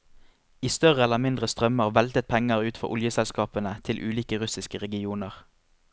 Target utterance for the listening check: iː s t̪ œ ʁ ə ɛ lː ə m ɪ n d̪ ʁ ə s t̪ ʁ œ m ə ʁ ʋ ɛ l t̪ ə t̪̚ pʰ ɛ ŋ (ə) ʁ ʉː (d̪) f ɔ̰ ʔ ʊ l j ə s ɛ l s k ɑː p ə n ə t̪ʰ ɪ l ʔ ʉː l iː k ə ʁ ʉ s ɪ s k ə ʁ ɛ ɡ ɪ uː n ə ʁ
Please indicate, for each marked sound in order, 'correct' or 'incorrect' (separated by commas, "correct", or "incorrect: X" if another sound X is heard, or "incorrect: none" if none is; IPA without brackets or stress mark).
correct, incorrect: t̪